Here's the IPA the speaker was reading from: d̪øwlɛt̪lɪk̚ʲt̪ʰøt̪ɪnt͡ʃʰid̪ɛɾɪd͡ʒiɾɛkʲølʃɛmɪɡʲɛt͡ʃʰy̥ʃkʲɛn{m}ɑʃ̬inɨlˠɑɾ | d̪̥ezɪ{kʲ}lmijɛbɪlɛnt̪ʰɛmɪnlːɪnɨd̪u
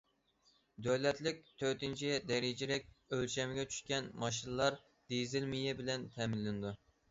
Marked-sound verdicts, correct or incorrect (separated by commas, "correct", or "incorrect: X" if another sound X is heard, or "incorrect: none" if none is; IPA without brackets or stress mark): correct, incorrect: none